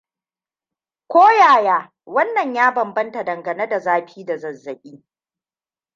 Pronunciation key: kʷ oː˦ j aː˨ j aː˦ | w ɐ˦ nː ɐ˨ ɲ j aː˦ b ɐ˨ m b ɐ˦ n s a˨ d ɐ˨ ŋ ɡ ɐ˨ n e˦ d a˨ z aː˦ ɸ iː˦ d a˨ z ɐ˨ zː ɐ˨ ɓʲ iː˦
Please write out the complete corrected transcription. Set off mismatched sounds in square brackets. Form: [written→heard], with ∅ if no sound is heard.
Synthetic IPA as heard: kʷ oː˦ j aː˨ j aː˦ | w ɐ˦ nː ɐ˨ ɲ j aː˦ b ɐ˨ m b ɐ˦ n [s→t] a˨ d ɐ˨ ŋ ɡ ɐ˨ n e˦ d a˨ z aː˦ ɸ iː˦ d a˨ z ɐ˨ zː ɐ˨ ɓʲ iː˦

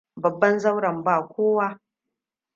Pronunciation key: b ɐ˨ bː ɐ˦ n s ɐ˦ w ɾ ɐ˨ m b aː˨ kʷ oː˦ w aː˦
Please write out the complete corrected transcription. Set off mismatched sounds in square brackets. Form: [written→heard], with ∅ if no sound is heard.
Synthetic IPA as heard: b ɐ˨ bː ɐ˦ n [s→z] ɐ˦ w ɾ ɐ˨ m b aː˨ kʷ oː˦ w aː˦

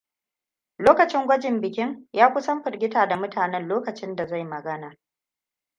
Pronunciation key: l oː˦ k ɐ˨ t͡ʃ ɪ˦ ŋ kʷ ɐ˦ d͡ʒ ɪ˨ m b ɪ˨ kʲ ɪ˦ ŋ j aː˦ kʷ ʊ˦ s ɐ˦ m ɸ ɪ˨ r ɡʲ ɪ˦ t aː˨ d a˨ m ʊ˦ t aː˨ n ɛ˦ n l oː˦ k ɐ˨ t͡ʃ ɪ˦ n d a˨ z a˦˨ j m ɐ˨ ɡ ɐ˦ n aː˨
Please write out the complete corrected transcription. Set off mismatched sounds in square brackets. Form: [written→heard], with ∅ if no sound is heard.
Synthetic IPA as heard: l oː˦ k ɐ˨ t͡ʃ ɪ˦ ŋ [kʷ→ɡʷ] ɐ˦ d͡ʒ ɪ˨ m b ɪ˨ kʲ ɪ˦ ŋ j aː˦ kʷ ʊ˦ s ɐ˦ m ɸ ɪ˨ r ɡʲ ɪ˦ t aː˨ d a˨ m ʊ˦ t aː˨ n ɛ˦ n l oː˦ k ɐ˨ t͡ʃ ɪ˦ n d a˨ z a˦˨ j m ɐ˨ ɡ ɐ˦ n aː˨

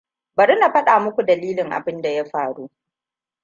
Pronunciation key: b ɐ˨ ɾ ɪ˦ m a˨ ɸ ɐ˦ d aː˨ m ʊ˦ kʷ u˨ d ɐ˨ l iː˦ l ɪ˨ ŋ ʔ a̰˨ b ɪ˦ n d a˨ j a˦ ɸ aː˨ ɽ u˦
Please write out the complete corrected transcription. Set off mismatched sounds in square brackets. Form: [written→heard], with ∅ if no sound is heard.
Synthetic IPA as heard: b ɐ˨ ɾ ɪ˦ [m→n] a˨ ɸ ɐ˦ [d→ɗ] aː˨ m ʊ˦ kʷ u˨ d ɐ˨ l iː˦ l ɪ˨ ŋ ʔ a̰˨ b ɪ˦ n d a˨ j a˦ ɸ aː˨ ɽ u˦

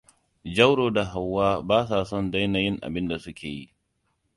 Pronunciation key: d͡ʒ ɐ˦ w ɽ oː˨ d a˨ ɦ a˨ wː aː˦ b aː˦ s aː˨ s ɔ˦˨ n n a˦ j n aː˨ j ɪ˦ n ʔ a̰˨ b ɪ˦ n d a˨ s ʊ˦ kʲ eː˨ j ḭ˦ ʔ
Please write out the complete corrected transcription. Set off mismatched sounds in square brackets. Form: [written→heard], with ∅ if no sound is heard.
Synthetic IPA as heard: d͡ʒ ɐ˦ w ɽ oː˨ d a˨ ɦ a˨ wː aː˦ b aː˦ s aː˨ s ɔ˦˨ n [n→d] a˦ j n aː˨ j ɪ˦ [n→ŋ] ʔ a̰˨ b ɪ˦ n d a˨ s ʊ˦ kʲ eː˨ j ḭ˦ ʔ

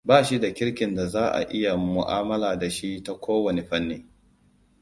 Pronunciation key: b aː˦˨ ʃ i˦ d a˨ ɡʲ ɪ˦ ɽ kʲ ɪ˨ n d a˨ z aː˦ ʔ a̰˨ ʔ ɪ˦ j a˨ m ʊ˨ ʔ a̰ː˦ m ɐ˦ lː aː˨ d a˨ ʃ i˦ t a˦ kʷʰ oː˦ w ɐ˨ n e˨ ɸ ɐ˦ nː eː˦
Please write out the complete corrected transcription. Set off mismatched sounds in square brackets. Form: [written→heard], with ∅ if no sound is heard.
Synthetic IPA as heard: b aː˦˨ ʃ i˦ d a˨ [ɡʲ→kʲ] ɪ˦ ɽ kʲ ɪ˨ n d a˨ z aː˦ ʔ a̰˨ ʔ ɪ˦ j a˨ m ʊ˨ ʔ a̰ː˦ m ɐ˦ [lː→l] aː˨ d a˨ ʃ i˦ t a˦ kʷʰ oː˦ w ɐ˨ n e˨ ɸ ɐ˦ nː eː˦

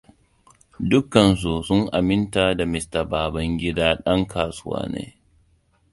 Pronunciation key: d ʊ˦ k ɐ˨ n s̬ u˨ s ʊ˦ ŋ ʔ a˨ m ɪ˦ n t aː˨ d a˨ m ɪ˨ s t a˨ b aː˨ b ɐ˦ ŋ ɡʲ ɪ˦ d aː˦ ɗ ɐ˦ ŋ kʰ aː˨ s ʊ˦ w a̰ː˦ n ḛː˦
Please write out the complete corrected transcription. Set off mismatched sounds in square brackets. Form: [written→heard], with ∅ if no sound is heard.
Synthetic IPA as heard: d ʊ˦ k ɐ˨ n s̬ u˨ s ʊ˦ ŋ ʔ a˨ m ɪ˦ n t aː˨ d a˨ m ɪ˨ s t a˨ b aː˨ b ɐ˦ ŋ ɡʲ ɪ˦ d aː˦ ɗ ɐ˦ ŋ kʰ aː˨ s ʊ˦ w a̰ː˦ n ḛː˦

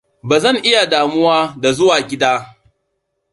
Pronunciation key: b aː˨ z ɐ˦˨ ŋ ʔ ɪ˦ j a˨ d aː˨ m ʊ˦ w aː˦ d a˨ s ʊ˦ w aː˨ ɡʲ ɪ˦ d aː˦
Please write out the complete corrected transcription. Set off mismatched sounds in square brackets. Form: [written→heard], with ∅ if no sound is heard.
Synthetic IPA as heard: b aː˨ z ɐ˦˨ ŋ ʔ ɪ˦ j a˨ d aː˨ m ʊ˦ w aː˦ d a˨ [s→z] ʊ˦ w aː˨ ɡʲ ɪ˦ d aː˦

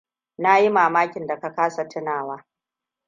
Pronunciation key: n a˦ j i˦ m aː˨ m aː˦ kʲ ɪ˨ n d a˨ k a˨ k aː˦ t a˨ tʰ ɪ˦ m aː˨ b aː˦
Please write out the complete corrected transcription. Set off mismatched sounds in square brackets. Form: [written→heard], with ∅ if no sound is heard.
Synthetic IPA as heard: n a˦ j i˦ m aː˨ m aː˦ kʲ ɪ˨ n d a˨ k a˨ k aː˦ [t→s] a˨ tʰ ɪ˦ [m→n] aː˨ [b→w] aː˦

